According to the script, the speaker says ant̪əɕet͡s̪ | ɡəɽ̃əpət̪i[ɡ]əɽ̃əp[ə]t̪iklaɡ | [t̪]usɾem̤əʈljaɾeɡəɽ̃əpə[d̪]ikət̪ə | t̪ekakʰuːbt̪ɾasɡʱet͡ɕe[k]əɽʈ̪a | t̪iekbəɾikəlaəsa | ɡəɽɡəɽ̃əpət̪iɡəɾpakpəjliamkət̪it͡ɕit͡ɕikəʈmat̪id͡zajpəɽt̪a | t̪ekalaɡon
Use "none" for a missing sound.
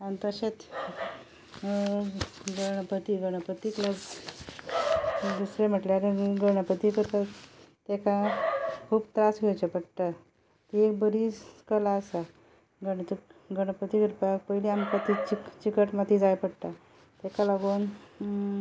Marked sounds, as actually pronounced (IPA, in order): ɡ, ə, d̪, t̪, p

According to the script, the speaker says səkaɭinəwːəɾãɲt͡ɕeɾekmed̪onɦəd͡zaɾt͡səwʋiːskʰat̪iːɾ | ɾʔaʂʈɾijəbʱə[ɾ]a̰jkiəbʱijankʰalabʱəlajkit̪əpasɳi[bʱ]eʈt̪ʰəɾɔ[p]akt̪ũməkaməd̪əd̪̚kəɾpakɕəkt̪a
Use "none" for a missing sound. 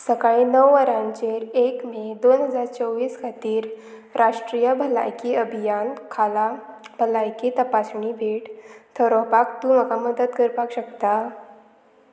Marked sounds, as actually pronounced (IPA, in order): l, bʱ, p

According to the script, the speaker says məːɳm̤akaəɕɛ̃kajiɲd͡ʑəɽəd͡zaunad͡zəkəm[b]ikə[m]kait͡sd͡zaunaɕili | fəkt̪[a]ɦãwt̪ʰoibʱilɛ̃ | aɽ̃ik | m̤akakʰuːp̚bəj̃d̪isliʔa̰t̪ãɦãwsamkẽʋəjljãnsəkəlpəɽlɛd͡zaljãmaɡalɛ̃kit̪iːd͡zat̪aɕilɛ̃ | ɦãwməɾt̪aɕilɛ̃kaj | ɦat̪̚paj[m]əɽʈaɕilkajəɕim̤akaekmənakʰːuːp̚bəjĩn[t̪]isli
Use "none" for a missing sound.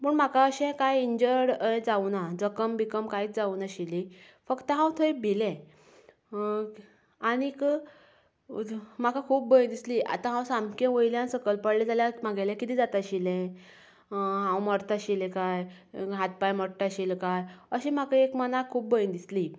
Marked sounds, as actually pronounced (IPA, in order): b, m, ə, m, d̪

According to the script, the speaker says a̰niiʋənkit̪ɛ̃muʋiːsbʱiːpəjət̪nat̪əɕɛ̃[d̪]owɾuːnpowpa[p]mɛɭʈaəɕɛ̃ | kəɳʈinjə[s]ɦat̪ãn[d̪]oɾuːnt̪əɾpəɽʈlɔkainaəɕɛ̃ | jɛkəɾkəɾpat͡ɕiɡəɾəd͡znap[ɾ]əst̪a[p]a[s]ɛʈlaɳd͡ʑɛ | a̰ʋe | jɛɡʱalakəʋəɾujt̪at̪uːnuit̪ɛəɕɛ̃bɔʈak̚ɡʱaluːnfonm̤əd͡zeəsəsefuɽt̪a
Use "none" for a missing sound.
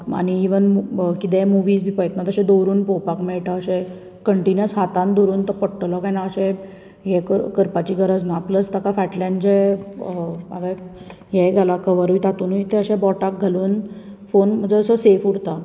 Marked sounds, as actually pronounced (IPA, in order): d̪, k, s, d̪, l, k, f

